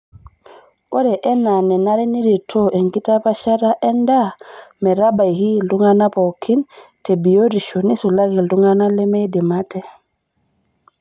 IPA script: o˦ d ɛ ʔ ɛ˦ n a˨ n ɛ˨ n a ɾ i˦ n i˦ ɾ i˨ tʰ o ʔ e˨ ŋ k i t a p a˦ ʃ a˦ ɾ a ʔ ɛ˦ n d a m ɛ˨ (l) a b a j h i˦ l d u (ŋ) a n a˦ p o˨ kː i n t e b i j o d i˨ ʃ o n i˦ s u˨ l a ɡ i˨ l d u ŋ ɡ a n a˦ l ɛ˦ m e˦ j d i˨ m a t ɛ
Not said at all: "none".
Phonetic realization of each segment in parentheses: ɾ, ŋ

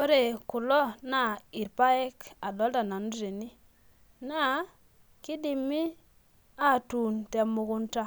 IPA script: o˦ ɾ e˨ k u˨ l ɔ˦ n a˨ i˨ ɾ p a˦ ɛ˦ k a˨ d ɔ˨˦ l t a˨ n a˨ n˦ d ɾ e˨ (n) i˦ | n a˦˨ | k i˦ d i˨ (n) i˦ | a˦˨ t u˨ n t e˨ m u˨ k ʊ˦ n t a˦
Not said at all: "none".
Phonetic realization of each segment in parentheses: n, m

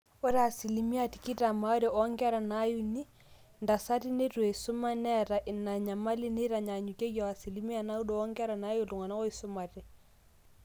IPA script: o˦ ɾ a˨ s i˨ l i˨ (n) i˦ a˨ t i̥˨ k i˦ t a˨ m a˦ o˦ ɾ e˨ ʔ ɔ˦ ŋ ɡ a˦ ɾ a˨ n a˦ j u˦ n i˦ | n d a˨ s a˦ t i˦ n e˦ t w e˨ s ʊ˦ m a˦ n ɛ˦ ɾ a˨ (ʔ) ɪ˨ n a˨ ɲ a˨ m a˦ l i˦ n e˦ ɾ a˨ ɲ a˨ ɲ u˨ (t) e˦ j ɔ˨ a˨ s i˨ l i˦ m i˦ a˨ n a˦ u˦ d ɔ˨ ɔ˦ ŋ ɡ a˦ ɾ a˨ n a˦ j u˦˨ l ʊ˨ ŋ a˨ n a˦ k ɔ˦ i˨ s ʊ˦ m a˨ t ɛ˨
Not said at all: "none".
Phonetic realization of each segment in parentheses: m, ʔ, k

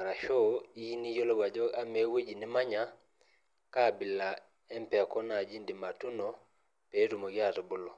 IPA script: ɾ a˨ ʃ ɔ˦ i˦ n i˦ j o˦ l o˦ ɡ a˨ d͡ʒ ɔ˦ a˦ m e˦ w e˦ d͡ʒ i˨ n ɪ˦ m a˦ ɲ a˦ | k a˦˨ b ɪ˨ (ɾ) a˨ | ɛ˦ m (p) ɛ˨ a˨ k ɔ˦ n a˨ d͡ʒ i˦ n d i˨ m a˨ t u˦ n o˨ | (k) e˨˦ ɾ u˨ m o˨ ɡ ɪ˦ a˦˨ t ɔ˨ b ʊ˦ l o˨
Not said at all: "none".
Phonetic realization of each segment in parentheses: l, p, p

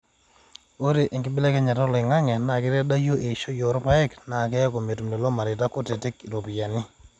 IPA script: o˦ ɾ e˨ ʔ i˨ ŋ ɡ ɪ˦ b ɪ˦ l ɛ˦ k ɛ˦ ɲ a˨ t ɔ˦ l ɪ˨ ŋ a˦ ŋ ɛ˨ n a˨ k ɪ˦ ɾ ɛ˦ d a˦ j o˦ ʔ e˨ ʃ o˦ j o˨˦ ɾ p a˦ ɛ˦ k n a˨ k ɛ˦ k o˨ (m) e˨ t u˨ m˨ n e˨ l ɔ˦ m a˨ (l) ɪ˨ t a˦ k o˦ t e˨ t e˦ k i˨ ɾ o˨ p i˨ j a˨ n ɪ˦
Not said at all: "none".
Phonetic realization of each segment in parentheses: m, ɾ

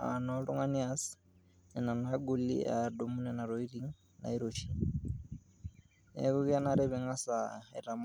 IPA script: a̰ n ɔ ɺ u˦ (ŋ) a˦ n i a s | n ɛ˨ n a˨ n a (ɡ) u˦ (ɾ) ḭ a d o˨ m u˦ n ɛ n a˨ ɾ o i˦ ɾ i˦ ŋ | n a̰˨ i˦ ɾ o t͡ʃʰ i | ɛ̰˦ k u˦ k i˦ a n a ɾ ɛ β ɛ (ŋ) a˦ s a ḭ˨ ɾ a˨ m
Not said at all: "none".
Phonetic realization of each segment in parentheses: ŋ, ɡ, l, ŋ

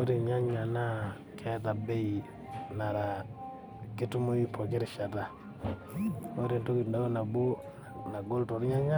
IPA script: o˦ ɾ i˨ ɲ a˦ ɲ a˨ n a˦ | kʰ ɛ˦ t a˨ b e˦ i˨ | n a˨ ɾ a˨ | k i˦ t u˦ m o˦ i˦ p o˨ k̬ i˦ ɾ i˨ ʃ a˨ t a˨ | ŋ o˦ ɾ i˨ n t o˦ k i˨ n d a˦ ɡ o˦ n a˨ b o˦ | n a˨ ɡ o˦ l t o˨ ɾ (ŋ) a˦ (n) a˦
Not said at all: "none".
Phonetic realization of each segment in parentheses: ɲ, ɲ

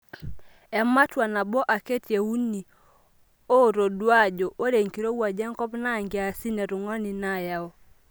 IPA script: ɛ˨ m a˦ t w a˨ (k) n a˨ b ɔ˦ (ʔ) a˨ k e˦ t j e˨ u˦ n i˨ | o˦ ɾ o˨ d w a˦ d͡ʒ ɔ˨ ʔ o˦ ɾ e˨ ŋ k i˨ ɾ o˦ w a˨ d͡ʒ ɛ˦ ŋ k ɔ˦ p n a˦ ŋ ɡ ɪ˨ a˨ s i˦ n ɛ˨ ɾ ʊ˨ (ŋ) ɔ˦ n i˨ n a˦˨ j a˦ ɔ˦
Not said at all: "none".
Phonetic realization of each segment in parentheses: none, ʔ, ŋ

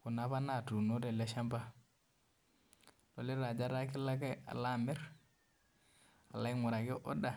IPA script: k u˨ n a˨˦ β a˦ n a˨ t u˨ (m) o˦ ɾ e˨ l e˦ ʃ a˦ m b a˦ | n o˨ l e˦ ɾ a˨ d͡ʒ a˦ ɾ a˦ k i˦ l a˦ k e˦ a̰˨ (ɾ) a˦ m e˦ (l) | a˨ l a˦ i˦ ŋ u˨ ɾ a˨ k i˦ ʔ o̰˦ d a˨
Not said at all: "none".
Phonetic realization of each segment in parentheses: n, l, ɾ

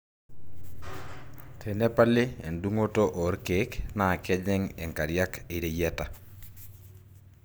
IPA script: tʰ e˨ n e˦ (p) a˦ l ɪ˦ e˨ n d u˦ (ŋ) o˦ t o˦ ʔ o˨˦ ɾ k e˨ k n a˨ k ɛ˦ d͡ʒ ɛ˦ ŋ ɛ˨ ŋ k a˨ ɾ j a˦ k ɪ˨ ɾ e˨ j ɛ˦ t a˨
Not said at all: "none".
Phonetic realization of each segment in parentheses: p, ŋ

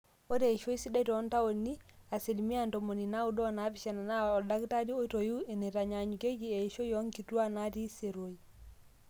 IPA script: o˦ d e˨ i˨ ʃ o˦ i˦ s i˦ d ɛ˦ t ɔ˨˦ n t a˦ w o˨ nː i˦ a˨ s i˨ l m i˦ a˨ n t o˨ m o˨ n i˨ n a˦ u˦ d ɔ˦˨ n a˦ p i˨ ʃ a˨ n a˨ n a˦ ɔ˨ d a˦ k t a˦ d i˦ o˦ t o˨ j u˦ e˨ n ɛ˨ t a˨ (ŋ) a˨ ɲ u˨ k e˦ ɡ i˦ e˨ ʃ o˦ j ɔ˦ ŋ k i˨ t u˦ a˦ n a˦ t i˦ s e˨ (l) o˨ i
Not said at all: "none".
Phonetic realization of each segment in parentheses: ɲ, ɾ

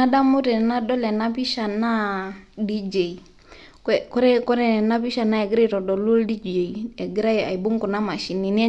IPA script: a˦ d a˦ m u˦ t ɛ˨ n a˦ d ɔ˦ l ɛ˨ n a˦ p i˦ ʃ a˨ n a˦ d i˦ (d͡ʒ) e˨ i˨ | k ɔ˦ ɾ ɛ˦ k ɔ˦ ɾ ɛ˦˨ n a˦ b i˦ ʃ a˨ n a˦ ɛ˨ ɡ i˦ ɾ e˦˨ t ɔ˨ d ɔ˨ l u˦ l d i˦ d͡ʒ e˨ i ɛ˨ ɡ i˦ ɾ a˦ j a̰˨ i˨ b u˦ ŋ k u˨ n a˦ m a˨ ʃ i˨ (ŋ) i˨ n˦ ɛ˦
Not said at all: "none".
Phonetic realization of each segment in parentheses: d͡ʒ, n

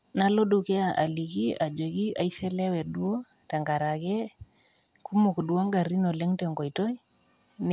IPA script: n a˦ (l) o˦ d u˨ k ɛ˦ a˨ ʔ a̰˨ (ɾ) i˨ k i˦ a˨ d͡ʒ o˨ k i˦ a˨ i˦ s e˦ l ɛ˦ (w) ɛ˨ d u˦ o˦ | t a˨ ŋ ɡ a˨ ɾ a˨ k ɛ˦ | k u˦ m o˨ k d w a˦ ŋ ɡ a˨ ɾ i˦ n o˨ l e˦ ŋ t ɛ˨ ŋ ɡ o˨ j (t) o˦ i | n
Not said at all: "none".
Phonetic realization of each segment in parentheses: l, l, w, t

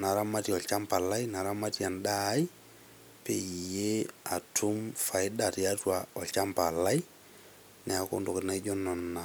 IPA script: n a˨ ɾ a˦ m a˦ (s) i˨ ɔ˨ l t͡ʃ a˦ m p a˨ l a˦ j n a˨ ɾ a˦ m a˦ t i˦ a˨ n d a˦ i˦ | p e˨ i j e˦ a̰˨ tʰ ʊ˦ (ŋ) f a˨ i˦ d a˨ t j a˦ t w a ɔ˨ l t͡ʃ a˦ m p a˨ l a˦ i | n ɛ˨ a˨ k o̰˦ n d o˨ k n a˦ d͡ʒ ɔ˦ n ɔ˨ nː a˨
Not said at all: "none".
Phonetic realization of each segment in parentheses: t, m

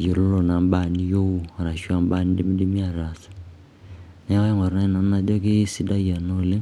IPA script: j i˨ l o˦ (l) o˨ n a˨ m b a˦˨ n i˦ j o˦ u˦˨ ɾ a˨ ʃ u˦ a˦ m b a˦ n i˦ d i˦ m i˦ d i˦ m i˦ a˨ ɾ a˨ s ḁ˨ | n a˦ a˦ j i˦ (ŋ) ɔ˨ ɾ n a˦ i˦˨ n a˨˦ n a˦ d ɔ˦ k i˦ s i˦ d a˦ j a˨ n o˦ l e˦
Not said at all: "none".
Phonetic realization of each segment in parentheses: l, ŋ

